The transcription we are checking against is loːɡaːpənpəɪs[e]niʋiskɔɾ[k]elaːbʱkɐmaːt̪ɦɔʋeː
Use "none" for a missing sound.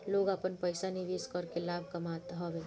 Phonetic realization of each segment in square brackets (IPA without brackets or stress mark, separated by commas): a, k